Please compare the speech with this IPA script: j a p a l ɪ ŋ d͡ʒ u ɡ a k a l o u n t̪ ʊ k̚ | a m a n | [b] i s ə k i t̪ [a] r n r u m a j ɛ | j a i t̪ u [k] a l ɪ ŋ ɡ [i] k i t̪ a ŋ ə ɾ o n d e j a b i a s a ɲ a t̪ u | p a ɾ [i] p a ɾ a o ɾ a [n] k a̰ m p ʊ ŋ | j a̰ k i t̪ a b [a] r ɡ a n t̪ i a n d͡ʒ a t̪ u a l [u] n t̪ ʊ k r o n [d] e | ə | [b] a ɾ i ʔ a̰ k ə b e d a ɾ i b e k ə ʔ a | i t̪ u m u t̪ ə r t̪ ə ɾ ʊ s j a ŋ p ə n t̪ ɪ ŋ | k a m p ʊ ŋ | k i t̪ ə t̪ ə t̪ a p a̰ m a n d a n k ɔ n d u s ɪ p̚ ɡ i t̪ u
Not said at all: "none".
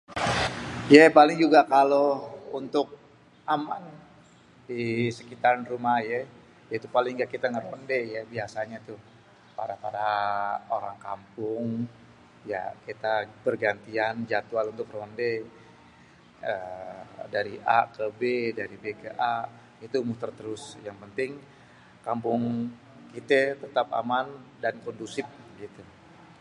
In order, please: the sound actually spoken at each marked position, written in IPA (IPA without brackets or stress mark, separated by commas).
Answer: d, a, p, a, a, ŋ, ə, u, d, d